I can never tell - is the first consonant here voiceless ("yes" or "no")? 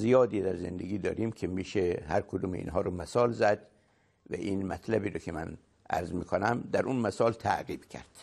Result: no